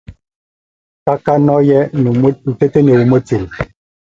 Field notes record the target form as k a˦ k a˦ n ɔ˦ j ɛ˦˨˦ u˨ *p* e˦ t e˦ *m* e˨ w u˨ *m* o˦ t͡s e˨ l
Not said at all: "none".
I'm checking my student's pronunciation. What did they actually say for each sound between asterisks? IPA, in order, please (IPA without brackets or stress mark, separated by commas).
t, n, m